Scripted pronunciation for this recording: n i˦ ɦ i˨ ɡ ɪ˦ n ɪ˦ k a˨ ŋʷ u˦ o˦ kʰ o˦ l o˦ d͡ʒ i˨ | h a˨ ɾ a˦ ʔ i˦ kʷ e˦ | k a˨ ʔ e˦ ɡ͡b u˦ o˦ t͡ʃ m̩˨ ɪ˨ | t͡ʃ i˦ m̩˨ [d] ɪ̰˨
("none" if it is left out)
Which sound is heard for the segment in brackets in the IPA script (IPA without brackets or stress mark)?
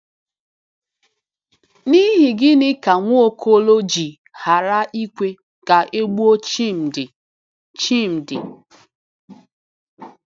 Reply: d